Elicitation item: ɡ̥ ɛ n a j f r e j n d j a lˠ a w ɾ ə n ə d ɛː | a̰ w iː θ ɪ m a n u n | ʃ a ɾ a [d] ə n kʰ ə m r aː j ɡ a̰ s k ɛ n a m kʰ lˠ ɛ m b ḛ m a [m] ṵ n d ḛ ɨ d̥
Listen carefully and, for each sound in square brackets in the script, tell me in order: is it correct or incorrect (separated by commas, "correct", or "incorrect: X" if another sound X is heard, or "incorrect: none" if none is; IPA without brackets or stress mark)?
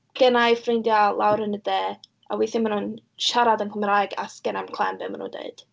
correct, incorrect: n